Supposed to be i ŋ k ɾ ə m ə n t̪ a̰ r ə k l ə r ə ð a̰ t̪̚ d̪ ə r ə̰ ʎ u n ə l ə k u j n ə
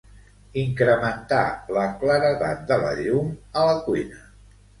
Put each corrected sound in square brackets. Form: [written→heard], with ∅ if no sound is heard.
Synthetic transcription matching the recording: i ŋ k ɾ ə m ə n t̪ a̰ [r→l] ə k l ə [r→ɾ] ə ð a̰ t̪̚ d̪ ə [r→l] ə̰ ʎ u [n→m] ə l ə k u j n ə